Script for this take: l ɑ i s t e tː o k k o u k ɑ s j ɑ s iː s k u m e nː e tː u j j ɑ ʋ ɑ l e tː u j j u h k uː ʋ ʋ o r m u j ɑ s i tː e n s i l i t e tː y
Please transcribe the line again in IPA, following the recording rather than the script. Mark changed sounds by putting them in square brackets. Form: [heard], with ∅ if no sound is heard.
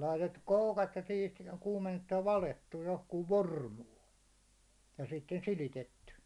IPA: l ɑ i [∅] t e tː [u] k k o u k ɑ [t] j ɑ s iː [t] k [uː] m e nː e tː u j j ɑ ʋ ɑ l e tː u j j [o] h k uː ʋ ʋ o r m [uː] j ɑ s i tː e n s i l i t e tː y